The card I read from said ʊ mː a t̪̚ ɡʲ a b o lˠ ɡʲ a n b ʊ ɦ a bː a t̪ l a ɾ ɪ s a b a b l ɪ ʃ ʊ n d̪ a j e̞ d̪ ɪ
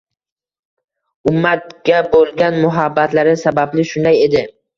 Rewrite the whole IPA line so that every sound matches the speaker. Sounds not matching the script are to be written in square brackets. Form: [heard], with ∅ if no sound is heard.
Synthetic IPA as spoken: ʊ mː a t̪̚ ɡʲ a b o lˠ ɡʲ a n [m] ʊ ɦ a bː a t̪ l a ɾ ɪ s a b a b l ɪ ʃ ʊ n d̪ a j e̞ d̪ ɪ